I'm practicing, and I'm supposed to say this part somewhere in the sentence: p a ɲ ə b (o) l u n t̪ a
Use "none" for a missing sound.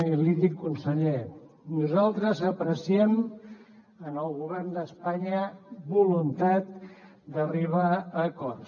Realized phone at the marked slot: u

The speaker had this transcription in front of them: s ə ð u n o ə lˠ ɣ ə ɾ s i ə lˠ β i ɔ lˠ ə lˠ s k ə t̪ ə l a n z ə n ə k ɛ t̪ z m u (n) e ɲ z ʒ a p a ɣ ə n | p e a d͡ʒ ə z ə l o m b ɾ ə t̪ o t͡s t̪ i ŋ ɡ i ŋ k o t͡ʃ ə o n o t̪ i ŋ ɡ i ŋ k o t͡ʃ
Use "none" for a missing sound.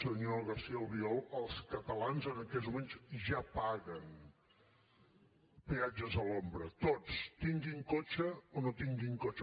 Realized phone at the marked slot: m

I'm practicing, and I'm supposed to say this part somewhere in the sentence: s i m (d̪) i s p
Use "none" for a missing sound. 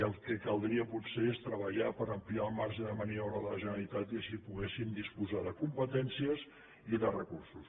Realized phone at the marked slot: d̪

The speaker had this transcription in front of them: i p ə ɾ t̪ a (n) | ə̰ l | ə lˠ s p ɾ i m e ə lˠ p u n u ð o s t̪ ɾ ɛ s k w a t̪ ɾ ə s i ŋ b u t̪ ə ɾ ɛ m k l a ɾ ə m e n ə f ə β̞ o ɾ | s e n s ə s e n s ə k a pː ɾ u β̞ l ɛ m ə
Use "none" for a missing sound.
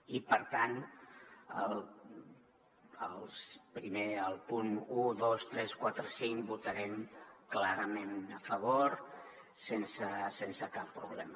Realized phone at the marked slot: n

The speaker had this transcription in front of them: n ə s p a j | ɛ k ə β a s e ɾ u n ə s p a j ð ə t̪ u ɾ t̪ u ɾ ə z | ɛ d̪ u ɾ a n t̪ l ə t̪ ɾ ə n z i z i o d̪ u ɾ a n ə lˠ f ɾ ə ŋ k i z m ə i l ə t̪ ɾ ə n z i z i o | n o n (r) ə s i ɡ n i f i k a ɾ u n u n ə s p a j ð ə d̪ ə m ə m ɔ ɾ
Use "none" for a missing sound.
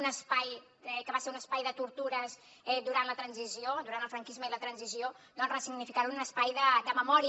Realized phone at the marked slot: r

